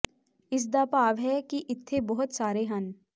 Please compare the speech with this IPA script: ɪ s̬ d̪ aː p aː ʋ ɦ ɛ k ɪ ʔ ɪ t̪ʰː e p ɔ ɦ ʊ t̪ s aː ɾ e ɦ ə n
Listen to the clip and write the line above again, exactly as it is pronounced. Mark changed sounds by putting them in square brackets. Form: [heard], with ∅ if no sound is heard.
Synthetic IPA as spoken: ɪ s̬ d̪ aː p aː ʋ ɦ ɛ k [i] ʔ ɪ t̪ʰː e [b] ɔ ɦ ʊ t̪ s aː ɾ e ɦ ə n

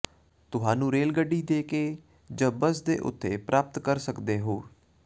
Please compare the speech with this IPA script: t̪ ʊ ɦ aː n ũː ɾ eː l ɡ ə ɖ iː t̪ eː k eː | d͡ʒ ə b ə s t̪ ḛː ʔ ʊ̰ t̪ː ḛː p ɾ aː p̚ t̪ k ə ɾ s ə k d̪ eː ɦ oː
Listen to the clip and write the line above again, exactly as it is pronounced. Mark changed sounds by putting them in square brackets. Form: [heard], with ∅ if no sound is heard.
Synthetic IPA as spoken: t̪ ʊ ɦ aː n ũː ɾ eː l ɡ ə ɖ iː [d̪] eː k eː | d͡ʒ ə b ə s [d̪] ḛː ʔ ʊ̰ t̪ː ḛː p ɾ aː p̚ t̪ k ə ɾ s ə k d̪ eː ɦ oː

